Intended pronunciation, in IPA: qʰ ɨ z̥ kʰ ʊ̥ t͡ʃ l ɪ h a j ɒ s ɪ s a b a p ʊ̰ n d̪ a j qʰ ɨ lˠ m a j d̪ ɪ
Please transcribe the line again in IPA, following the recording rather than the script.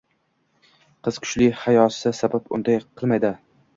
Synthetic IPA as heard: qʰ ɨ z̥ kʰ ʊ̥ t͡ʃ l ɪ h a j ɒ s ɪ s a b a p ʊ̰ n d̪ a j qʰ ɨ lˠ m a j d̪ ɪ